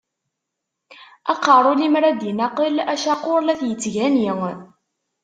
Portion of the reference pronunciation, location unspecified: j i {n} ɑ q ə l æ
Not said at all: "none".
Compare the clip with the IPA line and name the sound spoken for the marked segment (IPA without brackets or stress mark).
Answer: n